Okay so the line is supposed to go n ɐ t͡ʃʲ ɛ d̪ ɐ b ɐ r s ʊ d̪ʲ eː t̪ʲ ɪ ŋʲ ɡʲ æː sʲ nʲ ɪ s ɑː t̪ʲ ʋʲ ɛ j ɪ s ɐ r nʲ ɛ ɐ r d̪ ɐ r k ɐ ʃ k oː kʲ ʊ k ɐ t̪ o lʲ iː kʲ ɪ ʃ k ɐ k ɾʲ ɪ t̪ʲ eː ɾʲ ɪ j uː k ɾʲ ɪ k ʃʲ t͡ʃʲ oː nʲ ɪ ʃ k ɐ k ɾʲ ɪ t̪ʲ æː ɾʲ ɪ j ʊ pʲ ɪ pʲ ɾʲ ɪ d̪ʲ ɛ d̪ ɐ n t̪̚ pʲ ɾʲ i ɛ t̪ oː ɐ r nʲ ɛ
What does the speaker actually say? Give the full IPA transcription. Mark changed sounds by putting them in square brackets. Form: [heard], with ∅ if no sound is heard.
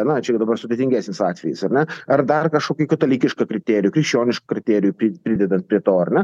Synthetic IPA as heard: n ɐ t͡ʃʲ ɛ d̪ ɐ b ɐ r s ʊ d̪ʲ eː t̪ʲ ɪ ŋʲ ɡʲ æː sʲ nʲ ɪ s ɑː t̪ʲ ʋʲ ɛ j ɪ s ɐ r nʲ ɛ ɐ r d̪ ɐ r k ɐ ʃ k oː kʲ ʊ k ɐ t̪ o lʲ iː kʲ ɪ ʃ k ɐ k ɾʲ ɪ t̪ʲ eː ɾʲ ɪ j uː k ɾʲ ɪ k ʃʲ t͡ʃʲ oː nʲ ɪ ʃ k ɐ k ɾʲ ɪ t̪ʲ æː ɾʲ ɪ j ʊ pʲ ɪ pʲ ɾʲ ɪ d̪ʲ ɛ d̪ ɐ n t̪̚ pʲ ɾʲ i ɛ t̪ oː ɐ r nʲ ɛ